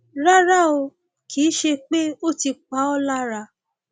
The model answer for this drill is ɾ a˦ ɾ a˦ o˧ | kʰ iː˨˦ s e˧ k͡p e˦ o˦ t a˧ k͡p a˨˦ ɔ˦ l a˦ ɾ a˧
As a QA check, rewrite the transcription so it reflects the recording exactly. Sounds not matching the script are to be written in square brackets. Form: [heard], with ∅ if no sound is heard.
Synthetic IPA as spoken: ɾ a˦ ɾ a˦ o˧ | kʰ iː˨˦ [ʃ] e˧ k͡p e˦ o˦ t [i˧] k͡p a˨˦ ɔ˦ l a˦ ɾ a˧